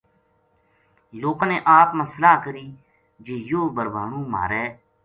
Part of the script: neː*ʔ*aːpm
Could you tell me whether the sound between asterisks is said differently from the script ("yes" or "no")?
no